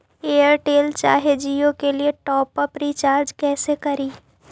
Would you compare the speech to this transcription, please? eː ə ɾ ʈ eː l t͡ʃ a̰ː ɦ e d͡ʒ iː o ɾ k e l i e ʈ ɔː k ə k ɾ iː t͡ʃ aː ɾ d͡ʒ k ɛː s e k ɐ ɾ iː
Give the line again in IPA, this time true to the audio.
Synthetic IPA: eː ə ɾ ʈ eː l t͡ʃ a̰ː ɦ e d͡ʒ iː o k e l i e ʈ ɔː p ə p ɾ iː t͡ʃ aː ɾ d͡ʒ k ɛː s e k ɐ ɾ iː